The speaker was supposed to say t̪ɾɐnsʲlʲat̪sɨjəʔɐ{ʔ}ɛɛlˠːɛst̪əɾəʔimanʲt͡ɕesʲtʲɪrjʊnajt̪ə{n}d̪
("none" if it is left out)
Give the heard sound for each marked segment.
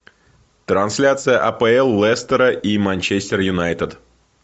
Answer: p, none

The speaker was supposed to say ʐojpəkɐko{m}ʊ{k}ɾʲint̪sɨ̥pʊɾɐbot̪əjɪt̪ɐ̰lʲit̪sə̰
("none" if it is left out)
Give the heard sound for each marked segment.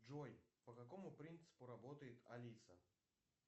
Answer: m, p

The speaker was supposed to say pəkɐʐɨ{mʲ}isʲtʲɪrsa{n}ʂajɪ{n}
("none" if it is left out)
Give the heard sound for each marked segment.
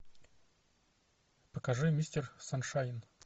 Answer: mʲ, n, n

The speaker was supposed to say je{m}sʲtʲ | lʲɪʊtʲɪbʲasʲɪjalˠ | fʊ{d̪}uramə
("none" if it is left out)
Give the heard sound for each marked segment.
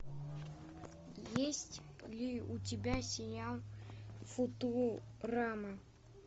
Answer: none, t̪

